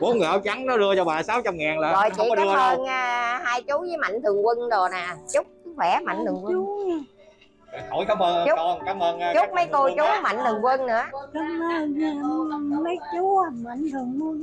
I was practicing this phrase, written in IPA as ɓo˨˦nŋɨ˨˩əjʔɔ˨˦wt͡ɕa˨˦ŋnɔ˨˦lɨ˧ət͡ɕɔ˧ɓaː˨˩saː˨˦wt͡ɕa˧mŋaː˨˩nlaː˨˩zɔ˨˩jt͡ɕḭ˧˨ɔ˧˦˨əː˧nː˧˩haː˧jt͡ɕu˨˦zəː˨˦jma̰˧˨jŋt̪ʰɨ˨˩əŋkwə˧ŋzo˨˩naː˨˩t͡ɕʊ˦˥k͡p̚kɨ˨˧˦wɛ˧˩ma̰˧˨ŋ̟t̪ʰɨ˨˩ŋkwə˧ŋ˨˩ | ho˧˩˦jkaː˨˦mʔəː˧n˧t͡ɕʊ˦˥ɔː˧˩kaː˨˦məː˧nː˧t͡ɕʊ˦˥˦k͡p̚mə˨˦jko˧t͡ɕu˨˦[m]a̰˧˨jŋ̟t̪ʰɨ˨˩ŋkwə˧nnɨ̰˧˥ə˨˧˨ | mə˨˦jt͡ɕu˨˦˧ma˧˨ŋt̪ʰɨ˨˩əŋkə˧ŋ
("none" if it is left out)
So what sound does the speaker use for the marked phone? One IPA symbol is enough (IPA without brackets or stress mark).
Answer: m